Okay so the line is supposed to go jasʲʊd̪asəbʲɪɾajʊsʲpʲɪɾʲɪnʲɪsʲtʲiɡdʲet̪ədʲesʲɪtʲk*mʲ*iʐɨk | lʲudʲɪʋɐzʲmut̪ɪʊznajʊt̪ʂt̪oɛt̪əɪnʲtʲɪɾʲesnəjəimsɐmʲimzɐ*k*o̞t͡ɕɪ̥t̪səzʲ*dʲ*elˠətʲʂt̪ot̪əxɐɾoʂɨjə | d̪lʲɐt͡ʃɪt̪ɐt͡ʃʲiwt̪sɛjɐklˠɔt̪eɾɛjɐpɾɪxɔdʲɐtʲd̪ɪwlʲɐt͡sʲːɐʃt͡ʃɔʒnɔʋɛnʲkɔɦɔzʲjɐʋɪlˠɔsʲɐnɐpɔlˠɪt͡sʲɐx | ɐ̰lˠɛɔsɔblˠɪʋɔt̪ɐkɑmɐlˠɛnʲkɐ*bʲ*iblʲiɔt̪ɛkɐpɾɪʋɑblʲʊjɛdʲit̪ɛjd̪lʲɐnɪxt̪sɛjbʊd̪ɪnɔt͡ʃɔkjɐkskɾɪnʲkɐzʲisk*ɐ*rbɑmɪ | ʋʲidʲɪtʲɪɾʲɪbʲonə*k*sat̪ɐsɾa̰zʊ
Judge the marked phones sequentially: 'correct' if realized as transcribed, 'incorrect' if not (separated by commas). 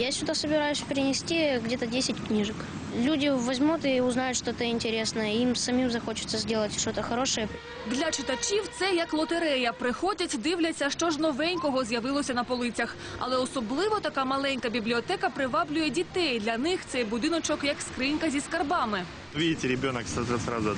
incorrect, incorrect, correct, correct, correct, correct